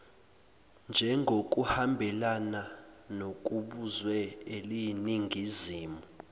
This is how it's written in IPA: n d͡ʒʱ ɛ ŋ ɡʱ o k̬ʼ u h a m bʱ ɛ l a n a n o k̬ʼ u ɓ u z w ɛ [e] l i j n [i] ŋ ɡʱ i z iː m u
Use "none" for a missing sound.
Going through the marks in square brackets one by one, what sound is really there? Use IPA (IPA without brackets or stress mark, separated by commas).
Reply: e, i